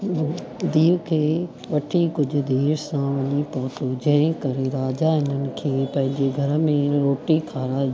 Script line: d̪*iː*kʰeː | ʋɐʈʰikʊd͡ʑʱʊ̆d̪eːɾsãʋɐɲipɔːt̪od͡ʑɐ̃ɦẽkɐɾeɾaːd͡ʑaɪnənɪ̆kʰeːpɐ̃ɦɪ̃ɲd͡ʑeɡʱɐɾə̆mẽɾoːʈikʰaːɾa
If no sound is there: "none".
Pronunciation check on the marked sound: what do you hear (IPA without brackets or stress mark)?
iː